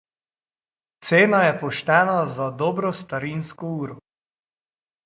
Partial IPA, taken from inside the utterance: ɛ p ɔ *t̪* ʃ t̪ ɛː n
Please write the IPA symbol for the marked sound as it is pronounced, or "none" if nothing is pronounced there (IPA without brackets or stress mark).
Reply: none